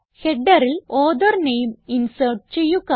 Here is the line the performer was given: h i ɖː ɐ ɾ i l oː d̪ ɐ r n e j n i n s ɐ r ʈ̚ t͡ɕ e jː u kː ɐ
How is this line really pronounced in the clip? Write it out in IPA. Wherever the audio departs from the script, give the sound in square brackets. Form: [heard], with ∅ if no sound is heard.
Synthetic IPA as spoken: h [e] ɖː ɐ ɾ i l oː d̪ ɐ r n e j [m] i n s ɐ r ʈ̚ t͡ɕ e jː u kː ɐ